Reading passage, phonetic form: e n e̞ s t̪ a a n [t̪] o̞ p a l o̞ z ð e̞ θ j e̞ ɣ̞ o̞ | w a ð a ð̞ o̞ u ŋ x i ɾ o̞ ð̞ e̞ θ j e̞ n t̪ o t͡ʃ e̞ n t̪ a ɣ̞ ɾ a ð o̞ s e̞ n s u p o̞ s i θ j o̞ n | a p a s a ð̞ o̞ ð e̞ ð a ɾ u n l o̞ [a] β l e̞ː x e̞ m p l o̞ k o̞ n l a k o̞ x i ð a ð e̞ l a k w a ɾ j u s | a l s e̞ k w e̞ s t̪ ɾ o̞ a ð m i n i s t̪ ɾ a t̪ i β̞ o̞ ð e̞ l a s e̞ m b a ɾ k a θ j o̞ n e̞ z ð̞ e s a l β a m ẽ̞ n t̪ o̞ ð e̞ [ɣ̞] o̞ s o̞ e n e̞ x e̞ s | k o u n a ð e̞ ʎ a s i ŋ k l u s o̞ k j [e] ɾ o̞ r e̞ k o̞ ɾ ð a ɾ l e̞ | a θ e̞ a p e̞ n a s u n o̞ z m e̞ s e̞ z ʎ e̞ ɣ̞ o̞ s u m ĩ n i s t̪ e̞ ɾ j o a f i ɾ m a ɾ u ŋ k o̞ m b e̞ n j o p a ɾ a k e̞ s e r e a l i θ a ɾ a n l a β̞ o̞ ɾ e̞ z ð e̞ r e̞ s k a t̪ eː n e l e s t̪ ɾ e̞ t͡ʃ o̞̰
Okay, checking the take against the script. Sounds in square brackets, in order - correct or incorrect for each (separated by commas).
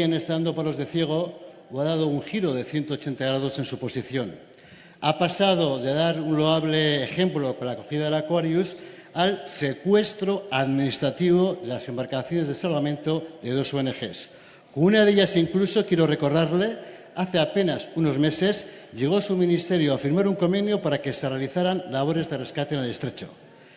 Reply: incorrect, correct, incorrect, correct